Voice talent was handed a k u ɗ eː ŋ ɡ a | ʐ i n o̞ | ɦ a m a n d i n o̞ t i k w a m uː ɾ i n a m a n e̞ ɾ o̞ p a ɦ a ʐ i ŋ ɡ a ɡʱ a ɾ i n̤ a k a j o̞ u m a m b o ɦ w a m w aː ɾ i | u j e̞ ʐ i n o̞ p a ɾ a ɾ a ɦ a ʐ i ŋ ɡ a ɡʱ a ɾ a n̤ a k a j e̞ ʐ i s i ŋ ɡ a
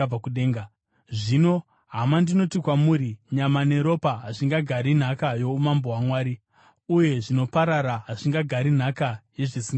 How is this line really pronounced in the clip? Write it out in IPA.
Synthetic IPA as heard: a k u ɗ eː ŋ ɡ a | ʐ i n o̞ | ɦ a m a n d i n o̞ t i k w a m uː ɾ i ɲ a m a n e̞ ɾ o̞ p a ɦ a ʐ i ŋ ɡ a ɡʱ a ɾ i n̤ a k a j o̞ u m a m b o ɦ w a m w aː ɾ i | u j e̞ ʐ i n o̞ p a ɾ a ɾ a ɦ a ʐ i ŋ ɡ a ɡʱ a ɾ i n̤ a k a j e̞ ʐ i s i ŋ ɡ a